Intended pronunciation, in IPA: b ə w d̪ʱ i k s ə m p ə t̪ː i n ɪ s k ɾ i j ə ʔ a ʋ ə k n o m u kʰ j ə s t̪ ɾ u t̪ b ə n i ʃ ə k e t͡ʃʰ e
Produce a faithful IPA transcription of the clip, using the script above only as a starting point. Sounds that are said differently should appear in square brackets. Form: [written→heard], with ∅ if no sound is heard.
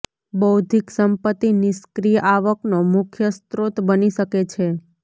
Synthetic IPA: b ə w d̪ʱ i k s ə m p ə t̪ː i n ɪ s k ɾ i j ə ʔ a ʋ ə k n o m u kʰ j ə s t̪ ɾ [u→o] t̪ b ə n i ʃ ə k e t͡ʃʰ e